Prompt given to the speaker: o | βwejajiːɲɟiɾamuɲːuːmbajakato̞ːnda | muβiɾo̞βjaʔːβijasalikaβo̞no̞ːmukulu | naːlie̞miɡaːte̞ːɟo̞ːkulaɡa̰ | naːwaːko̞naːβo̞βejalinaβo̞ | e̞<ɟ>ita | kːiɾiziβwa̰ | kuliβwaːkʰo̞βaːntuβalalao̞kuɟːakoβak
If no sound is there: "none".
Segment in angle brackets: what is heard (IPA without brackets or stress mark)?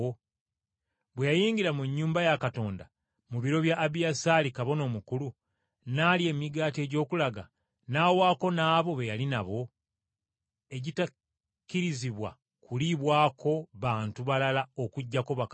ɟ